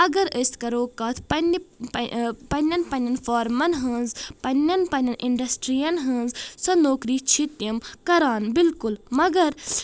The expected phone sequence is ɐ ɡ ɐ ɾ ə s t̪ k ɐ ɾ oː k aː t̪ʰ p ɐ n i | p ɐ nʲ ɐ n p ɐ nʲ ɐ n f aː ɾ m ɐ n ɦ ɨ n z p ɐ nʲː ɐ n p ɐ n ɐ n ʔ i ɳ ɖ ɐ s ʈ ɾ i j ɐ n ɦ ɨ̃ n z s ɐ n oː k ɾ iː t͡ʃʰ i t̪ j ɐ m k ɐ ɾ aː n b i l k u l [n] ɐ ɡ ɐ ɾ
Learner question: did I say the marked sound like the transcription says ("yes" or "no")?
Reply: no